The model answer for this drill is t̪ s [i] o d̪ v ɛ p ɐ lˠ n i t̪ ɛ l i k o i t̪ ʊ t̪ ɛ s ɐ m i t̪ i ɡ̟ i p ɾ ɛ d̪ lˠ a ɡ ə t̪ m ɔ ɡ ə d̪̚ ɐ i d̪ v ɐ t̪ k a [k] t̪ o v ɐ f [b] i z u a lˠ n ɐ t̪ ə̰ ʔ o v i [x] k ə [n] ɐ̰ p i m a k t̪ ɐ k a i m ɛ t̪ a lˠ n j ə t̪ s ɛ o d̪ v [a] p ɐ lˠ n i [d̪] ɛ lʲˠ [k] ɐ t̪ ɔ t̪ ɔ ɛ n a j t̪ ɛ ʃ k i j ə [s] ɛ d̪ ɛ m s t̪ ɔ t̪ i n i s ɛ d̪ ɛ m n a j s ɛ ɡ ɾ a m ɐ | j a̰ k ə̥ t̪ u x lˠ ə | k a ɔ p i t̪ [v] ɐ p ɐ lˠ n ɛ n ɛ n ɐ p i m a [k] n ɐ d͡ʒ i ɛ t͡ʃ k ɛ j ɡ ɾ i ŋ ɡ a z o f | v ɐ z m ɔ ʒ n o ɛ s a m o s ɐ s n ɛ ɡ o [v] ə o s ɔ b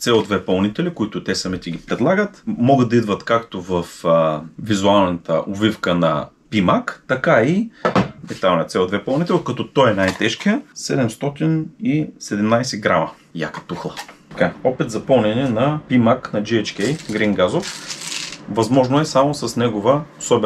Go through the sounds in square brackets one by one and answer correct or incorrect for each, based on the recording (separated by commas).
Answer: incorrect, correct, incorrect, incorrect, correct, incorrect, incorrect, correct, correct, incorrect, correct, correct